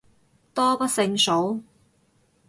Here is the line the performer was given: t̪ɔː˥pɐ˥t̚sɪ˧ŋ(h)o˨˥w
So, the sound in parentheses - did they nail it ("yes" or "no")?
no